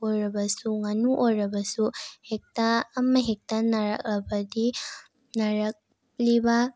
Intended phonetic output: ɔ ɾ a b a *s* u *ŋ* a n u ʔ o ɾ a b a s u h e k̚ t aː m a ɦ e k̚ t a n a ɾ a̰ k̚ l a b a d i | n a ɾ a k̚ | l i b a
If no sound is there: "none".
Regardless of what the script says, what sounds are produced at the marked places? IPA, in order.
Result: s, ŋ

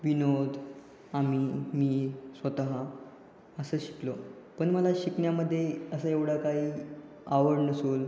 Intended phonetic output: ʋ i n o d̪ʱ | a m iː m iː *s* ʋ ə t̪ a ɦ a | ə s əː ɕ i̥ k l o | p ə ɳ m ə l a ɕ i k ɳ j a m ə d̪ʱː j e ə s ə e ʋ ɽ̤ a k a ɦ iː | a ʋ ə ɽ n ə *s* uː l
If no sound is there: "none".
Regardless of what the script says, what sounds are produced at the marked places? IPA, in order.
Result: s, s

